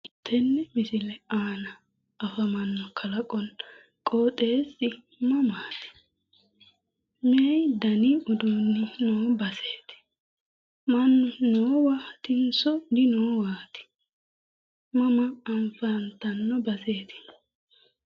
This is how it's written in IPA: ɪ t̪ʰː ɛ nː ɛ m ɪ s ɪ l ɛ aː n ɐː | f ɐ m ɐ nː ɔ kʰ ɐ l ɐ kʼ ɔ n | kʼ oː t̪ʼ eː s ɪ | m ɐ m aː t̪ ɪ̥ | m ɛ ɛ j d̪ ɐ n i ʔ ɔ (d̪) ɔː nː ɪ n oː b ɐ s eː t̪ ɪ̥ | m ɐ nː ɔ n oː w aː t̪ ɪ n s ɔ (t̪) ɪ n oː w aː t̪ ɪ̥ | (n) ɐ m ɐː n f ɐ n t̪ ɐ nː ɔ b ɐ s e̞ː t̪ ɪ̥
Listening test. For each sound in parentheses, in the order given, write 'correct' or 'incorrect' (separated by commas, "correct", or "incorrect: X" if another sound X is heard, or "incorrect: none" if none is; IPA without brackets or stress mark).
correct, incorrect: d̪, incorrect: m